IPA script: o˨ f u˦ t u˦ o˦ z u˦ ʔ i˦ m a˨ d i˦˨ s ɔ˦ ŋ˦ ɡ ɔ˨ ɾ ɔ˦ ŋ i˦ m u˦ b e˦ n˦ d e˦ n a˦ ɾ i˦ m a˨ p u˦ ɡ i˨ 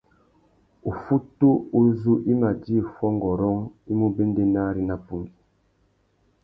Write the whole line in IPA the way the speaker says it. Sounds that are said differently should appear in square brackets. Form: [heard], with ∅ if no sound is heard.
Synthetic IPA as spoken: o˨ f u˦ t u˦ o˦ z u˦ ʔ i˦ m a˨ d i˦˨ [f] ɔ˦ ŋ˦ ɡ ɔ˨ ɾ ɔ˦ ŋ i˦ m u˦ b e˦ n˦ d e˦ n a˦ ɾ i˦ [n] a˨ p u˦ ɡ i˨